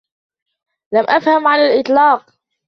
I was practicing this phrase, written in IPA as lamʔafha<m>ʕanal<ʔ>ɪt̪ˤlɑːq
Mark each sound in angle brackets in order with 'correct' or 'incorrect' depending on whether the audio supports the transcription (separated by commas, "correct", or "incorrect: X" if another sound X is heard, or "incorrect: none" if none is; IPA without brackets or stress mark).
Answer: correct, correct